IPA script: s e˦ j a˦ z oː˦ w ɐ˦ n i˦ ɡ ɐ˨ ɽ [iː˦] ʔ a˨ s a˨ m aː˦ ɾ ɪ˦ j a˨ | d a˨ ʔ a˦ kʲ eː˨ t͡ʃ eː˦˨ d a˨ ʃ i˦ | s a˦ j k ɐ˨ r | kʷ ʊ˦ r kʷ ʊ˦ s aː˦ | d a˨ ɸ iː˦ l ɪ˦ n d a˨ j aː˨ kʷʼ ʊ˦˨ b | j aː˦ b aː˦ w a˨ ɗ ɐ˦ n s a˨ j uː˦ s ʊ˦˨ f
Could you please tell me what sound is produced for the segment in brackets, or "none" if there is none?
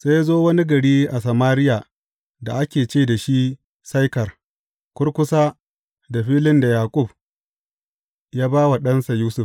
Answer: iː˦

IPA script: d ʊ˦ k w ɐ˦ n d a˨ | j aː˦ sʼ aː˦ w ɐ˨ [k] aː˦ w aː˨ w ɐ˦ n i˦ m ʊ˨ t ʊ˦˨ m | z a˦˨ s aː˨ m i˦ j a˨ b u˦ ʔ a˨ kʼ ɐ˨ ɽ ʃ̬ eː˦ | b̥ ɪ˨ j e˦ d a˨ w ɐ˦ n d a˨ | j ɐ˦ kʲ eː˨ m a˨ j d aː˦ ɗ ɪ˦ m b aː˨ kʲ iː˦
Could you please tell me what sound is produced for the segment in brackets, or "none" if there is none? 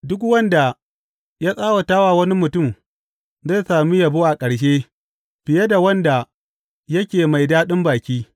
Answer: t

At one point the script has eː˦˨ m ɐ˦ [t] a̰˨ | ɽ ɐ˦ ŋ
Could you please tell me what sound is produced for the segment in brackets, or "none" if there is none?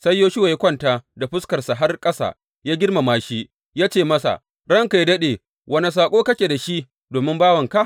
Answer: s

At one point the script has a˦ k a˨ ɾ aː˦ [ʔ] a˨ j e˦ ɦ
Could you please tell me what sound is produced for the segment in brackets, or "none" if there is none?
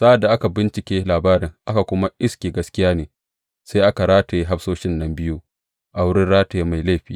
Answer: t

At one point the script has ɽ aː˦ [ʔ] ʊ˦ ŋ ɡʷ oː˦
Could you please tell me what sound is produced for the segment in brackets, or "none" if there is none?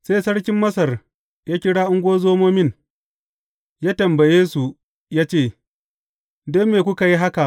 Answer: ʔ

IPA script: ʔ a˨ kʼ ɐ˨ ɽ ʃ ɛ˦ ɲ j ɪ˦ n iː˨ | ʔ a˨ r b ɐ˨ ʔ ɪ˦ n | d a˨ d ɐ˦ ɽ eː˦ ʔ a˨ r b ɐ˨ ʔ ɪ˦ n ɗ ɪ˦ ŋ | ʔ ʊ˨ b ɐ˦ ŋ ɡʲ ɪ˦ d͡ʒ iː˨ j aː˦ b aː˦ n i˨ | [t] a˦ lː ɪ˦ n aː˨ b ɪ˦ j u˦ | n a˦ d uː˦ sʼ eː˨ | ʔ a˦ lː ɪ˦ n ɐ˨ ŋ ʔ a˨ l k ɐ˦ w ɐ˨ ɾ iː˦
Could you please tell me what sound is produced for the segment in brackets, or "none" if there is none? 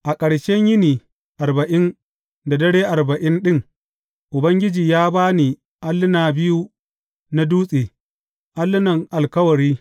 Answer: ʔ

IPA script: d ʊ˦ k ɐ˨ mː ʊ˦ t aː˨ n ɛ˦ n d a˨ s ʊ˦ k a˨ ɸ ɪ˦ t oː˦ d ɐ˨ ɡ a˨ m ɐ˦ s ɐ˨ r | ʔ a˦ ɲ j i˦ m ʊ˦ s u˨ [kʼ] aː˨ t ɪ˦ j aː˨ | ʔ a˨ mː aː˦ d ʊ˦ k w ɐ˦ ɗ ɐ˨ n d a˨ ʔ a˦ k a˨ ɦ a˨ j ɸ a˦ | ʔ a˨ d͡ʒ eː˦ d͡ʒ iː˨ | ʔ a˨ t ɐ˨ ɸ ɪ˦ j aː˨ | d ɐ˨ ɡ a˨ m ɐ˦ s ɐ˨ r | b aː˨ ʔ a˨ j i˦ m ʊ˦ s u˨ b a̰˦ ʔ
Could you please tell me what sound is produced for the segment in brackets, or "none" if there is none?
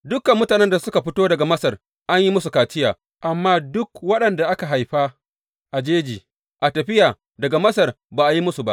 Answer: k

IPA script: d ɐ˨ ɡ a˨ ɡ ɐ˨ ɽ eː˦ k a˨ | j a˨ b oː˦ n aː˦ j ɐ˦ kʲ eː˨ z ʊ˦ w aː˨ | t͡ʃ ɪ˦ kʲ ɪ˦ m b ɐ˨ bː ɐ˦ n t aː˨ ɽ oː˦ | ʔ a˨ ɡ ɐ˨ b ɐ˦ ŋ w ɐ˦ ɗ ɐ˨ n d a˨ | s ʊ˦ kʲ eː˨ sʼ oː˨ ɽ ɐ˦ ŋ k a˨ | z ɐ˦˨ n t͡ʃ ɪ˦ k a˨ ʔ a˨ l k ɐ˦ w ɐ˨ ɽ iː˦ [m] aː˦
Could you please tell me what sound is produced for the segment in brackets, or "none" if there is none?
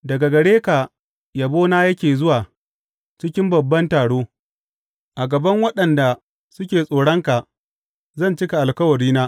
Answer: n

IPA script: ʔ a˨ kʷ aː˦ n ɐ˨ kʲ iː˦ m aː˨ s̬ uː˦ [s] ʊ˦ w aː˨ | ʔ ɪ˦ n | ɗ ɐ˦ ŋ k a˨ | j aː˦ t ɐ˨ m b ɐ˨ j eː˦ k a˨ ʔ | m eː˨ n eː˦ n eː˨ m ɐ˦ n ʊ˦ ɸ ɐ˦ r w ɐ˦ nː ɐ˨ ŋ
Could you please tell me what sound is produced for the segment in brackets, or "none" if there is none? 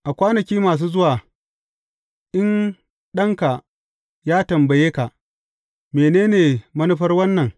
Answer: z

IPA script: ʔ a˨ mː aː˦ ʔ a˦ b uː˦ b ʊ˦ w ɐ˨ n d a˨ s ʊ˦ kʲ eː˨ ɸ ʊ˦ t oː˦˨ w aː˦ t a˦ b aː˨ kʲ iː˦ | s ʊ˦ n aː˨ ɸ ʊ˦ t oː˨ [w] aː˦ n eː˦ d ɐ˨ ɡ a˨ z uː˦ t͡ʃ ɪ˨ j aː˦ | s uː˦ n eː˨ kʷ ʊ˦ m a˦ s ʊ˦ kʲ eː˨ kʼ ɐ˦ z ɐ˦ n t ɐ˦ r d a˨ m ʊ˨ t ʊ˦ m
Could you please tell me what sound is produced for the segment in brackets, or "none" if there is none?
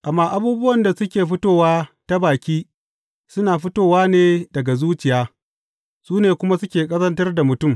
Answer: w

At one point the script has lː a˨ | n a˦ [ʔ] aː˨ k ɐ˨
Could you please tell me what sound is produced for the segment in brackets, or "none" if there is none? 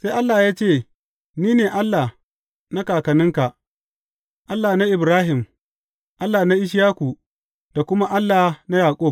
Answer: k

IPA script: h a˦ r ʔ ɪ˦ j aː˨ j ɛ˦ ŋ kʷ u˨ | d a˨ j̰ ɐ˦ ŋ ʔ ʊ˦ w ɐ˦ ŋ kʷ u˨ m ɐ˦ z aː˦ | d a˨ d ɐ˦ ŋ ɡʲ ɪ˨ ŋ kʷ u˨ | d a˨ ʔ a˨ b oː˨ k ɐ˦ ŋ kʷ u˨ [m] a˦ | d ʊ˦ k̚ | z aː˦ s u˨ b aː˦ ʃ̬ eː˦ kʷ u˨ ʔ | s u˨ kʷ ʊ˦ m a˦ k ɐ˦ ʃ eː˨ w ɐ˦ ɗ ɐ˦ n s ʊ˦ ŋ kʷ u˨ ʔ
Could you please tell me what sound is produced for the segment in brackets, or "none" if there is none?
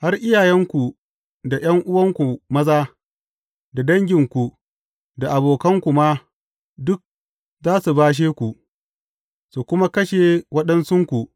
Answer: m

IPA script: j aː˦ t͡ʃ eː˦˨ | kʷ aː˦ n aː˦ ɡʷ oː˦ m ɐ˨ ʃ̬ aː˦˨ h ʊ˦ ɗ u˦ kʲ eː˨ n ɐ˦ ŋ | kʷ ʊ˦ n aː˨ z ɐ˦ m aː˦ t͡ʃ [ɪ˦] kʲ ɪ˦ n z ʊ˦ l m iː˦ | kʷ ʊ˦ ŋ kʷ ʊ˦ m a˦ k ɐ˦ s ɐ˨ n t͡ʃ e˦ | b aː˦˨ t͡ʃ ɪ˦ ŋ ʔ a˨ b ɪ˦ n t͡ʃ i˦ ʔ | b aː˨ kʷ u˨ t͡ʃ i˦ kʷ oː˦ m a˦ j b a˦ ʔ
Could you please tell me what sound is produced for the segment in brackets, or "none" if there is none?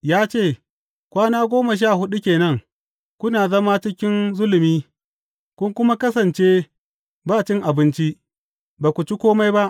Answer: ɪ˦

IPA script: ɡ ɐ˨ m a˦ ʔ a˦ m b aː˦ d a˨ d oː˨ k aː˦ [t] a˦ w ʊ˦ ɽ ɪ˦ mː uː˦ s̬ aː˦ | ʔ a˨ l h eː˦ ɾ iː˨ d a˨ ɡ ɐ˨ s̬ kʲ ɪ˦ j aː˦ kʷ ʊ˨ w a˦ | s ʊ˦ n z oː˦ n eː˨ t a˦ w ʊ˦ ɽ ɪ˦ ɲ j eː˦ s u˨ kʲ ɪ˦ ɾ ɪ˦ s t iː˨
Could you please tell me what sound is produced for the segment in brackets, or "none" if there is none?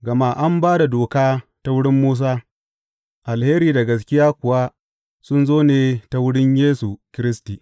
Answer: t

